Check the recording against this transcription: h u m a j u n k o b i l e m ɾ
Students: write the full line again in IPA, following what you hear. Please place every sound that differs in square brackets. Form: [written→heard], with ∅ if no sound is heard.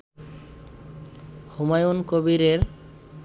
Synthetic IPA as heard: h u m a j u n k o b i [l→ɾ] e [m→∅] ɾ